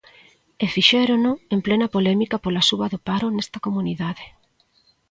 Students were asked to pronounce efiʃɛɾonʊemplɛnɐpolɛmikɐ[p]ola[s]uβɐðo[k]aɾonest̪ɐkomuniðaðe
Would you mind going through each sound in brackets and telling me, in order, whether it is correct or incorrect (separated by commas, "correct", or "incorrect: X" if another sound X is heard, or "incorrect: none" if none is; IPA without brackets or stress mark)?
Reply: correct, correct, incorrect: p